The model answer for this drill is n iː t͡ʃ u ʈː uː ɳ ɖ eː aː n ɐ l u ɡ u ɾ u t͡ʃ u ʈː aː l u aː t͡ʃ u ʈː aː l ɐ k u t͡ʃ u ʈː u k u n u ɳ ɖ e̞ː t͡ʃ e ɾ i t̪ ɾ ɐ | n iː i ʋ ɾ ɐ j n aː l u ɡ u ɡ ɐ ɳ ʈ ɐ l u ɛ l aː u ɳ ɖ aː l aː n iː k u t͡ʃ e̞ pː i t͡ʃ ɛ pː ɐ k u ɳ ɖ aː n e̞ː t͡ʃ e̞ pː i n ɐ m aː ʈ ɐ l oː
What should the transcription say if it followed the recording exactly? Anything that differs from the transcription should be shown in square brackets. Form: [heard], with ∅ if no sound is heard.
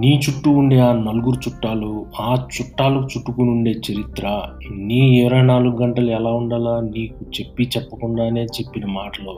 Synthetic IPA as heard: n iː t͡ʃ u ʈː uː ɳ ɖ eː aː n ɐ l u ɡ u ɾ u t͡ʃ u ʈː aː l u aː t͡ʃ u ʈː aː l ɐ k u t͡ʃ u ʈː u k u n u ɳ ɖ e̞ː t͡ʃ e ɾ i t̪ ɾ ɐ | n iː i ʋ ɾ ɐ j n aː l u ɡ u ɡ ɐ ɳ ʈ ɐ l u ɛ l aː u ɳ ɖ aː l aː n iː k u t͡ʃ e̞ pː i t͡ʃ ɛ pː ɐ k u ɳ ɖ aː n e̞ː t͡ʃ e̞ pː i n ɐ m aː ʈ ɐ l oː